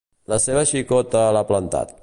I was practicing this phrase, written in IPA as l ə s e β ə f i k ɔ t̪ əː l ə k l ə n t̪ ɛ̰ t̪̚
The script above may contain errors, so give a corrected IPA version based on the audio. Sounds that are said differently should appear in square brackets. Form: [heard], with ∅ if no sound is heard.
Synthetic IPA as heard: l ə s e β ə [ʃ] i k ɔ t̪ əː l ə [p] l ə n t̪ [a̰] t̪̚